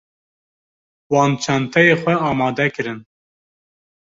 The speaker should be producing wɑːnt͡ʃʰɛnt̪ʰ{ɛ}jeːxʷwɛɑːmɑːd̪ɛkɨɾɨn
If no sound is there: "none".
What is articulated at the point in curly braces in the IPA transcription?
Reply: ɛ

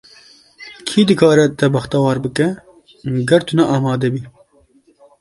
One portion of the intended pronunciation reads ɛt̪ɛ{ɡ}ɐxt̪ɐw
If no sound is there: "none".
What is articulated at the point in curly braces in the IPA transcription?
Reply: b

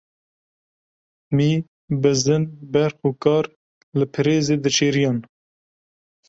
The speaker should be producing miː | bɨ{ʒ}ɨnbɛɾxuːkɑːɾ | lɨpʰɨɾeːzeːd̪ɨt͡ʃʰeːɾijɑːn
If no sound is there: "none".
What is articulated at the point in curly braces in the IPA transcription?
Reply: z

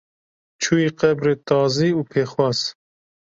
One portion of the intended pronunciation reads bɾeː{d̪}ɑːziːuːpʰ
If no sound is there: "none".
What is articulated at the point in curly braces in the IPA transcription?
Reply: t̪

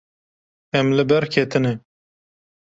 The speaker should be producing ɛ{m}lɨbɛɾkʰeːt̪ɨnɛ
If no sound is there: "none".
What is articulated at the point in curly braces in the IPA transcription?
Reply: m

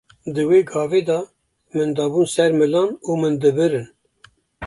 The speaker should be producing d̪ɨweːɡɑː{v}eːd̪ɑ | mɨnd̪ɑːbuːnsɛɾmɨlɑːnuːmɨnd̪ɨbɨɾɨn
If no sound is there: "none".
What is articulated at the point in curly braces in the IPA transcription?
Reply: v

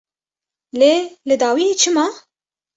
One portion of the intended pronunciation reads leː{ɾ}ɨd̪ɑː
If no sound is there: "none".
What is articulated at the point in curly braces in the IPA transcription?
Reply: l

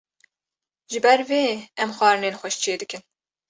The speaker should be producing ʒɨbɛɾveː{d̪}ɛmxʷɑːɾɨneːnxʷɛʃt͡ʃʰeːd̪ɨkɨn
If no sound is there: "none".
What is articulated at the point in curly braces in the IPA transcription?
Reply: none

